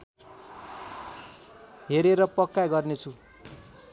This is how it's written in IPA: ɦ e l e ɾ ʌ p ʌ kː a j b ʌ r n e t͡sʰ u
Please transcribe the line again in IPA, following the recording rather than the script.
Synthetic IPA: ɦ e ɾ e ɾ ʌ p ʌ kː a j ɡ ʌ r n e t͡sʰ u